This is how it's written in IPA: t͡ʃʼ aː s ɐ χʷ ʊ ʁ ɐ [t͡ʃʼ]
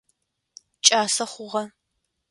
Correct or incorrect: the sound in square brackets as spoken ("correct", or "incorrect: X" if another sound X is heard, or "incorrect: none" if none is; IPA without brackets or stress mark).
incorrect: none